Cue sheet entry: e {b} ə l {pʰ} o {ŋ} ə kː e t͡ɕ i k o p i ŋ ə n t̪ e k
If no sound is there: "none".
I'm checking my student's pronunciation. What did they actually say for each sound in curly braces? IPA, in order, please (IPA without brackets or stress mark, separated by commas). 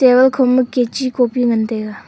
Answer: w, kʰ, m